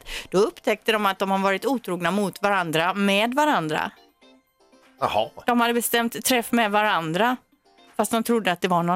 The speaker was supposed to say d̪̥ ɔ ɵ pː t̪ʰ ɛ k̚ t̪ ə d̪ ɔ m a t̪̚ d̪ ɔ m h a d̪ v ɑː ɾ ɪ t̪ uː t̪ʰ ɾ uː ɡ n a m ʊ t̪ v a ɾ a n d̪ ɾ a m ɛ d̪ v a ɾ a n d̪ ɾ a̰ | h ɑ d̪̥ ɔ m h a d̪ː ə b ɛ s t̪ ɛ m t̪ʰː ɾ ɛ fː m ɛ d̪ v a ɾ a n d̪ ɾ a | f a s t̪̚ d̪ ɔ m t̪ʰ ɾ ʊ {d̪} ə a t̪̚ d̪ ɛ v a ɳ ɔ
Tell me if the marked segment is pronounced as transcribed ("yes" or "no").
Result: no